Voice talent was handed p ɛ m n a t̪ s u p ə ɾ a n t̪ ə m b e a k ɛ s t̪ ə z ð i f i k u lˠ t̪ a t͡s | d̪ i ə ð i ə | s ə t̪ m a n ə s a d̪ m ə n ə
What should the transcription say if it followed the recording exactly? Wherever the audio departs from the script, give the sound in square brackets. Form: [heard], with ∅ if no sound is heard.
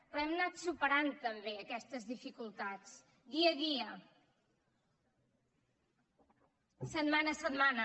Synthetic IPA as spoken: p ɛ m n a t̪ s u p ə ɾ a n t̪ ə m b e [ə] k ɛ s t̪ ə z ð i f i k u lˠ t̪ a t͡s | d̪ i ə ð i ə | s ə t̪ m a n ə s [ə] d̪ m [a] n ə